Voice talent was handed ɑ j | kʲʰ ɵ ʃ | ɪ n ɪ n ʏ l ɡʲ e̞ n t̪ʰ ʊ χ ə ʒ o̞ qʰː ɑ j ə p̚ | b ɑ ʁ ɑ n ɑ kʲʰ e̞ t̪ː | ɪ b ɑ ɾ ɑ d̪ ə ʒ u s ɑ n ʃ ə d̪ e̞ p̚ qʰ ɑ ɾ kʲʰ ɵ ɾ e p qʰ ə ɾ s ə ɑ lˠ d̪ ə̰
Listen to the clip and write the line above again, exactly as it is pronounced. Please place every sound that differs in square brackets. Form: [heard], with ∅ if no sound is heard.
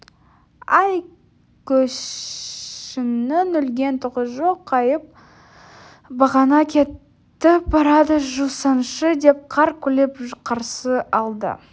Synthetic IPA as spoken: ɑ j | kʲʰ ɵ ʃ | ɪ n ɪ n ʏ l ɡʲ e̞ n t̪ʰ ʊ [ʁ] ə ʒ o̞ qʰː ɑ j ə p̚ | b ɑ ʁ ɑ n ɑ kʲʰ e̞ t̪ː | ɪ b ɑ ɾ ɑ d̪ ə ʒ u s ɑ n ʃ ə d̪ e̞ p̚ qʰ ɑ ɾ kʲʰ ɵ [l] e p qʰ [ɑ] ɾ s ə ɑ lˠ d̪ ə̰